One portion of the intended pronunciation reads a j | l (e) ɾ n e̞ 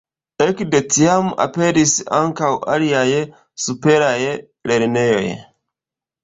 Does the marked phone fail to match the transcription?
no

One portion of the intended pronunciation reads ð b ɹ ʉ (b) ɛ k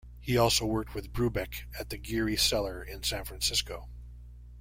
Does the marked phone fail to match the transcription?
no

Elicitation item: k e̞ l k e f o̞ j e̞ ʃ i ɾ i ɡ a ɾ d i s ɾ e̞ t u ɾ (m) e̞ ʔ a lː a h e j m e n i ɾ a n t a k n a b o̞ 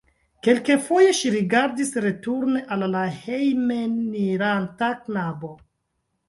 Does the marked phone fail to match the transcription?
yes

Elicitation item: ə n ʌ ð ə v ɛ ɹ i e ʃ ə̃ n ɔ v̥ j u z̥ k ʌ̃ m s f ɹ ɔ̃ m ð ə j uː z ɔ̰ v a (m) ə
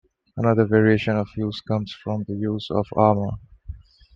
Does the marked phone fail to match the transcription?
no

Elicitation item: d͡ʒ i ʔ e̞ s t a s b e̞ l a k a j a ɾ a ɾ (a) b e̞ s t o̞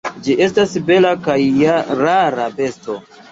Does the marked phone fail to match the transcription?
no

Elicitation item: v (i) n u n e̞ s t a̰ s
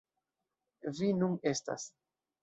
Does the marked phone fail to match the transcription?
no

